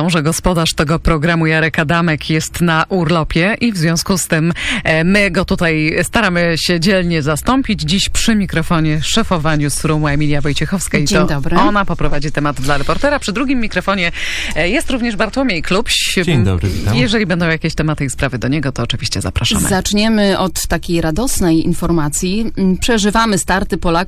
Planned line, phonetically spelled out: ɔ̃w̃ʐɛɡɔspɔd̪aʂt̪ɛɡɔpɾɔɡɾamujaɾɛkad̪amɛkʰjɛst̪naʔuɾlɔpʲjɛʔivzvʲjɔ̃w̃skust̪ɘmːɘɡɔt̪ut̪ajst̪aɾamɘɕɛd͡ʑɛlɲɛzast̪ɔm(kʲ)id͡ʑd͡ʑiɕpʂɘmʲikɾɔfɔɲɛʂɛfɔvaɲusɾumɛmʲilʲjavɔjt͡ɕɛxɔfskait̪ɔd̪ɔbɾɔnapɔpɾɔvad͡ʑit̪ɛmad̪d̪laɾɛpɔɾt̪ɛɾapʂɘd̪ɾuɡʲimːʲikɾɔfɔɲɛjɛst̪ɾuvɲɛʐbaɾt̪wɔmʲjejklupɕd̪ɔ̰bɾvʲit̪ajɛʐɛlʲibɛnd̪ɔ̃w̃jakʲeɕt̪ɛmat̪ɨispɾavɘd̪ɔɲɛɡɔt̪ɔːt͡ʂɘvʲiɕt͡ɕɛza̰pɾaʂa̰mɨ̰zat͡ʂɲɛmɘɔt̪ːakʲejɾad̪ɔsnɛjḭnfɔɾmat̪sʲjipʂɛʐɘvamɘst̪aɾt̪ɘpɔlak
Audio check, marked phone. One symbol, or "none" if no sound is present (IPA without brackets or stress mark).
pʲ